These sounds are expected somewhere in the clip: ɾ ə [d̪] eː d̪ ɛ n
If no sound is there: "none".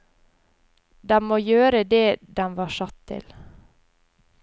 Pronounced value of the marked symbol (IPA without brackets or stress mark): d̪